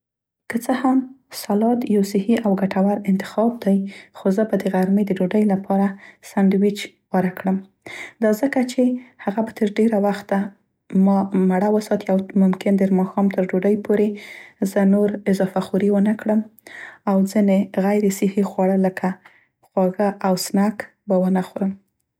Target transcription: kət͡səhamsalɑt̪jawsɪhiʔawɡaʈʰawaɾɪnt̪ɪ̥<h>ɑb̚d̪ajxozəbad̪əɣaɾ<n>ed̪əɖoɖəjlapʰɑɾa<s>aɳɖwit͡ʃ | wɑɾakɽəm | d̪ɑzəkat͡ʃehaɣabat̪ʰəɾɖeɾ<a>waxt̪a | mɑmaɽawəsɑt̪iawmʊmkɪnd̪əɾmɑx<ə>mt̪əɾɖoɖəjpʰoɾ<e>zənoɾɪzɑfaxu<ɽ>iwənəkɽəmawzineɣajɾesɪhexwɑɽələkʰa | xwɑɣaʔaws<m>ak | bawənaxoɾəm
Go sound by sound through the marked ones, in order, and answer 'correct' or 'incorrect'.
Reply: incorrect: x, incorrect: m, correct, correct, incorrect: ɑ, correct, incorrect: ɾ, incorrect: n

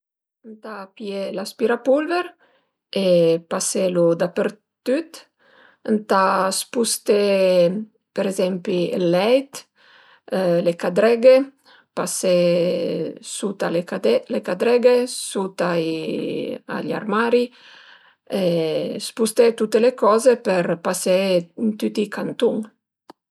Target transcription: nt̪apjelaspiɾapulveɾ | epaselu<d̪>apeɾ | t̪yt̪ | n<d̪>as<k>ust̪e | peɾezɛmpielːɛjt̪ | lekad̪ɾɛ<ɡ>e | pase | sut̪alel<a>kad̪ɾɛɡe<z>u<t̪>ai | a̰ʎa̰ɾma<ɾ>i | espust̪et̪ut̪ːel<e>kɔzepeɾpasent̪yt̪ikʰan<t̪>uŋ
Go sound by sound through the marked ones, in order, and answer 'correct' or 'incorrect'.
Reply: correct, incorrect: t̪, incorrect: p, correct, incorrect: e, incorrect: s, correct, correct, correct, correct

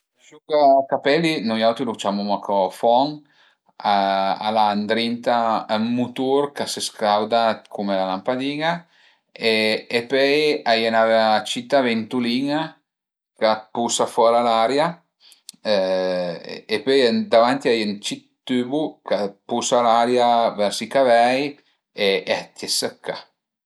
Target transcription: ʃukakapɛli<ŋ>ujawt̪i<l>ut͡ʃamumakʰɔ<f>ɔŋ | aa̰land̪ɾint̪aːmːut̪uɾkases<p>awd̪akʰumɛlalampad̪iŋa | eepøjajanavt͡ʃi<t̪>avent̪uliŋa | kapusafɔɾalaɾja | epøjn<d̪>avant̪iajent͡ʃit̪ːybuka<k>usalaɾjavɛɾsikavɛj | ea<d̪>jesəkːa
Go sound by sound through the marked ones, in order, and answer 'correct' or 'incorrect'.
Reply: incorrect: n, correct, correct, incorrect: k, correct, correct, incorrect: p, incorrect: t̪

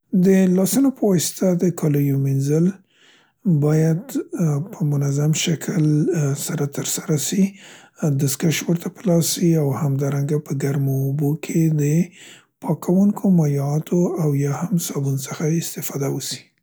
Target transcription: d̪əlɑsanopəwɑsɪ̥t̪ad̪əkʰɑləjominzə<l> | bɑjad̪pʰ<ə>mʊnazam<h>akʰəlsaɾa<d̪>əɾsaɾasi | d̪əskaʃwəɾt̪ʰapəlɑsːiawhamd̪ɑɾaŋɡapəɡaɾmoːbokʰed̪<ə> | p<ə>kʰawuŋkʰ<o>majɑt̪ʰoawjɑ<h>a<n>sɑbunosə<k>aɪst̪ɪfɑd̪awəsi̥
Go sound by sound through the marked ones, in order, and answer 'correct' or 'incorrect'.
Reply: correct, correct, incorrect: ʃ, incorrect: t̪, correct, incorrect: ɑ, correct, correct, incorrect: m, incorrect: x

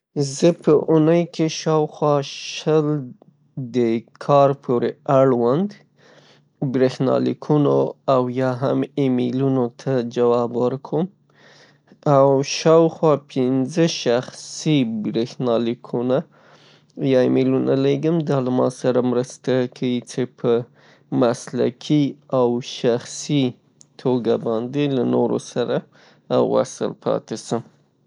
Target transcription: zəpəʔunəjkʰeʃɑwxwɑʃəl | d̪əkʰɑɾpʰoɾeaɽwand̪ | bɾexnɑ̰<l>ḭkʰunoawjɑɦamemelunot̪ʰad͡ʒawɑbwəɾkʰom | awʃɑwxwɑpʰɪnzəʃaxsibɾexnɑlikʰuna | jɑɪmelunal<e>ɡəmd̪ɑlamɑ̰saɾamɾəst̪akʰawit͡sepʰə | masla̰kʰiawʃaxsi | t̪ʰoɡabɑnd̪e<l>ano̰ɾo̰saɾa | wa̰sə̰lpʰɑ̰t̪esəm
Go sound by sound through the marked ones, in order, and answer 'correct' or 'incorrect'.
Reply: correct, correct, correct

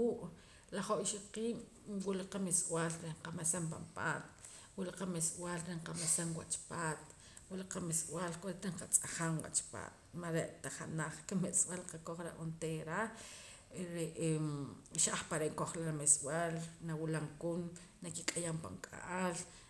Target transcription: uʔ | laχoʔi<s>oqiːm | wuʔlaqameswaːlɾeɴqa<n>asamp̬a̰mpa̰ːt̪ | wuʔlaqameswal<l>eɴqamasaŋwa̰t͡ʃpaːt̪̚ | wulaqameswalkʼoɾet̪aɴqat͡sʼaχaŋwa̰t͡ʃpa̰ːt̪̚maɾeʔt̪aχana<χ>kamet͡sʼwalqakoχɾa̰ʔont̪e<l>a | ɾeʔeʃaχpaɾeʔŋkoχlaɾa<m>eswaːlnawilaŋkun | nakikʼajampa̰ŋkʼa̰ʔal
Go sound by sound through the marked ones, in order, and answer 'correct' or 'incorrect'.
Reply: incorrect: ʃ, incorrect: m, incorrect: ɾ, correct, incorrect: ɾ, correct

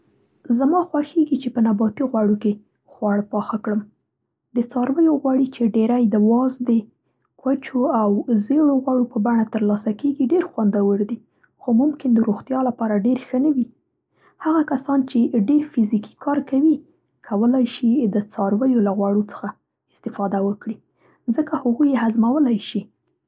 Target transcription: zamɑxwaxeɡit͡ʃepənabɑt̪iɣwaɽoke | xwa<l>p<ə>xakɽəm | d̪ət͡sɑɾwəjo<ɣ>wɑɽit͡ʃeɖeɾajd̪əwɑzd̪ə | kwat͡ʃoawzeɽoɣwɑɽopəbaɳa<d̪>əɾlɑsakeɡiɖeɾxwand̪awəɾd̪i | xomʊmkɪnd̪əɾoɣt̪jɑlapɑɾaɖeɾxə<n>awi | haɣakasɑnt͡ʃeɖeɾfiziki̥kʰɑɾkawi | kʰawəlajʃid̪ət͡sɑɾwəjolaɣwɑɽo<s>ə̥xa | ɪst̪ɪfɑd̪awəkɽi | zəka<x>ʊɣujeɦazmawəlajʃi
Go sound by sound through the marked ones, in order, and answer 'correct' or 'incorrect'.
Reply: incorrect: ɽ, incorrect: ɑ, correct, incorrect: t̪, correct, incorrect: t͡s, incorrect: h

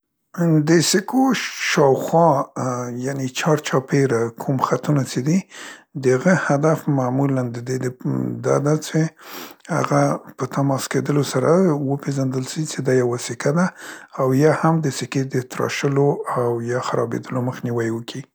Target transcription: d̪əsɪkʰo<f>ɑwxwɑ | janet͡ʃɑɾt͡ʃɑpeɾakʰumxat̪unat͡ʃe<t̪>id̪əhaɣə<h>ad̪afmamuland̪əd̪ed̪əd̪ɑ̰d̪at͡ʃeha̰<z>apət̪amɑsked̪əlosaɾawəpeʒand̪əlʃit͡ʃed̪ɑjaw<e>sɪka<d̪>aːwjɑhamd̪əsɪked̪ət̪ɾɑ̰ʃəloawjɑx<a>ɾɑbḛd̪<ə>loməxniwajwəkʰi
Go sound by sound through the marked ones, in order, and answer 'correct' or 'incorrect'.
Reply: incorrect: ʃ, incorrect: d̪, correct, incorrect: ɣ, incorrect: a, correct, correct, correct

